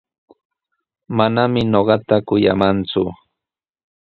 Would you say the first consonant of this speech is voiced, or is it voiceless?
voiced